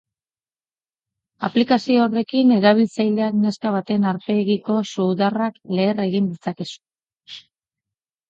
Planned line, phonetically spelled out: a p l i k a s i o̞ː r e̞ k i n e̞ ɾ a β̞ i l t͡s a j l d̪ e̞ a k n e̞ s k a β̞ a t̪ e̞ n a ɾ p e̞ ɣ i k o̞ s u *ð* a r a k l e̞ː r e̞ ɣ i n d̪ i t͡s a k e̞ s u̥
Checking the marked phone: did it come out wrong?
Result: no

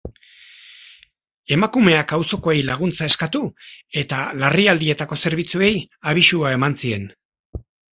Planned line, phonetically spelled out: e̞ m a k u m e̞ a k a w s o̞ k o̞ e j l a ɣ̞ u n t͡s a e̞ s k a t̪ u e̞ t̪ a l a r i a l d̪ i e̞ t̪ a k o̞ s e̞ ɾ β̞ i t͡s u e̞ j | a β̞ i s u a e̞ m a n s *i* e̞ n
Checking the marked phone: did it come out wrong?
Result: no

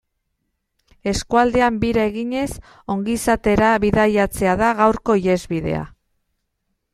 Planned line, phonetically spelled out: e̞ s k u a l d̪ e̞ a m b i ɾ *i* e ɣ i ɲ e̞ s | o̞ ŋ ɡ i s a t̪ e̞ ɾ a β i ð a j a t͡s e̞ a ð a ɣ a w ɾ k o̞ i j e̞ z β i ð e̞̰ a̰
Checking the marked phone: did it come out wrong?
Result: yes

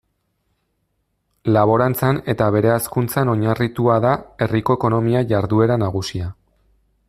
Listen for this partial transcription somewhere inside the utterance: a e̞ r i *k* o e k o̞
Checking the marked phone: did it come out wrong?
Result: no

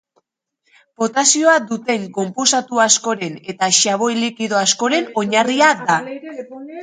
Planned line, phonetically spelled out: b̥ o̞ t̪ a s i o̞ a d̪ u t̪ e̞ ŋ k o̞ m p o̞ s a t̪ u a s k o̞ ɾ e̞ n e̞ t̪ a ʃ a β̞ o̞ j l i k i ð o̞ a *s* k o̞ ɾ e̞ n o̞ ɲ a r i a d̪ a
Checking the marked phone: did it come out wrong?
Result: no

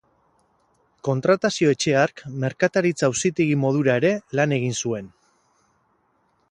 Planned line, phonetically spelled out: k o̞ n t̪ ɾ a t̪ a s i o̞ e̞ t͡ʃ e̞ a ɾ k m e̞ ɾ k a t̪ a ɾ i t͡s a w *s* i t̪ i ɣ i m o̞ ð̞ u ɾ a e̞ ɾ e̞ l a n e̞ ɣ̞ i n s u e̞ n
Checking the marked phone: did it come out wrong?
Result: no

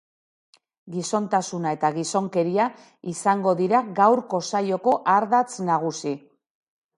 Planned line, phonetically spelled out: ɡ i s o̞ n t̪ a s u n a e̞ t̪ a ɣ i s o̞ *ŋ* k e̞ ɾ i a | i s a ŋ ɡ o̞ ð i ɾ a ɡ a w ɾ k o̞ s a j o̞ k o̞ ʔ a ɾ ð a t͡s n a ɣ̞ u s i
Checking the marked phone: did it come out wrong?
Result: no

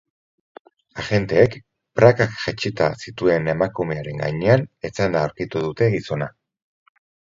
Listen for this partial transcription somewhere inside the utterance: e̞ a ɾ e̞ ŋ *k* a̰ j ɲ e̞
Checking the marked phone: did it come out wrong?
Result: yes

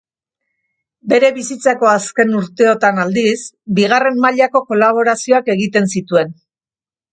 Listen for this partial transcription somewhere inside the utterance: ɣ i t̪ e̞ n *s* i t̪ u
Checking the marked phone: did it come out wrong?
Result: no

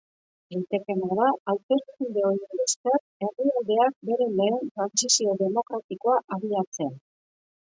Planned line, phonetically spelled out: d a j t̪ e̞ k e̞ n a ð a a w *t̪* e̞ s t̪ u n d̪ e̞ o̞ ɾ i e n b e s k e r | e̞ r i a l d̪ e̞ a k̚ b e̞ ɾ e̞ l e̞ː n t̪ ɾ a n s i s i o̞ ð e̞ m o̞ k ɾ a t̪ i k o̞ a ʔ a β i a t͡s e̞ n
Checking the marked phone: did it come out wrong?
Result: no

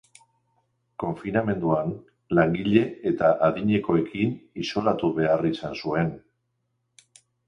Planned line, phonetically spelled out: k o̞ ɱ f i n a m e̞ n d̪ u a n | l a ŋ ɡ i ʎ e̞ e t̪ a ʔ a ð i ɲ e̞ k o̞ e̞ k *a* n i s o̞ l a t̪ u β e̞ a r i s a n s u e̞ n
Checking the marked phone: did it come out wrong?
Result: yes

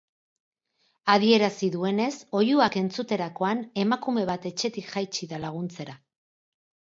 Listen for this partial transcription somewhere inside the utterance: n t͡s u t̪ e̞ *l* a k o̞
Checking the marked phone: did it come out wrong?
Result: yes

